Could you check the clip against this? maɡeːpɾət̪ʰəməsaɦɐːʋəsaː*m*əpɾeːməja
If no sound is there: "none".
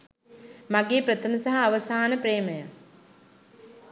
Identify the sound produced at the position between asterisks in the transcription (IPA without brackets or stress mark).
n